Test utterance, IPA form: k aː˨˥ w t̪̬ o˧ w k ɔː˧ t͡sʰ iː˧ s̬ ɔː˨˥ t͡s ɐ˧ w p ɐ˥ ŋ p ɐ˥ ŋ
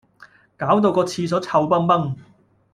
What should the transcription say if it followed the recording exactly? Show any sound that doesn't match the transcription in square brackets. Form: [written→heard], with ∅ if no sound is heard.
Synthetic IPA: k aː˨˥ w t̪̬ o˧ w k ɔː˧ t͡sʰ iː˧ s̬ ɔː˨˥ [t͡s→t͡sʰ] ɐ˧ w p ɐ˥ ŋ p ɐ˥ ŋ